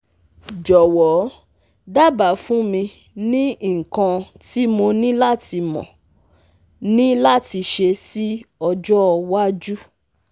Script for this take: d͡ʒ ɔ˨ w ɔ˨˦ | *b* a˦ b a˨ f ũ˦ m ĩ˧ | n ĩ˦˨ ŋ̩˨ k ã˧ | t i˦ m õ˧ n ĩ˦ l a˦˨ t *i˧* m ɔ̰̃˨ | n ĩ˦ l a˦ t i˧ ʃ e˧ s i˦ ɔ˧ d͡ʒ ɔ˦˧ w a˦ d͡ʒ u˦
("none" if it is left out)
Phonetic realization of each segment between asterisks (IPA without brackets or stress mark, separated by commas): d, i˧